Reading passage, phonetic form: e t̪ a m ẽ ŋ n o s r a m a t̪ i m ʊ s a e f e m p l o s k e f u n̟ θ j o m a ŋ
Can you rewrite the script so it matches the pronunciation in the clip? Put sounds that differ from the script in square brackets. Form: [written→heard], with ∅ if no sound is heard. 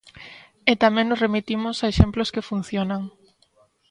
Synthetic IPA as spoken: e t̪ a m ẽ ŋ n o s r [a→e] m [a→i] t̪ i m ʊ s a e [f→ʃ] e m p l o s k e f u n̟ θ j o [m→n] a ŋ